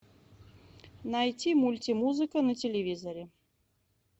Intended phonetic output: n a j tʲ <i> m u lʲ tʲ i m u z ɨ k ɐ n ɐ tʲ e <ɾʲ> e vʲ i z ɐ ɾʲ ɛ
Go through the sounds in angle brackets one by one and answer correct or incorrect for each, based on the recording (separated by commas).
correct, incorrect